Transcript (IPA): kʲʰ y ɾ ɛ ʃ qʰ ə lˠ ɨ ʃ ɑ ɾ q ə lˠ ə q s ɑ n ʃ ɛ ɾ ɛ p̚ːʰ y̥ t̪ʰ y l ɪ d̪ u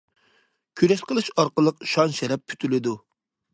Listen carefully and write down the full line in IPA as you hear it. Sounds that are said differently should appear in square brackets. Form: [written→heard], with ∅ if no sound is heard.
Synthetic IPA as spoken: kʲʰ y ɾ ɛ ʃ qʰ ə lˠ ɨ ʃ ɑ ɾ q ə lˠ ə q [s→ʃ] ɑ n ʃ ɛ ɾ ɛ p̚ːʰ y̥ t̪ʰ y l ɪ d̪ u